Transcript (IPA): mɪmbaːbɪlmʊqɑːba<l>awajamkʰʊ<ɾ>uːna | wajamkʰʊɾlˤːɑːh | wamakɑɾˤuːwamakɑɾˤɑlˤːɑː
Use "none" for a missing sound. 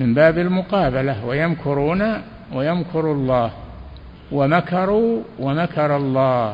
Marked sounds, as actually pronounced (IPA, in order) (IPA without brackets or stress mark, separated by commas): l, ɾ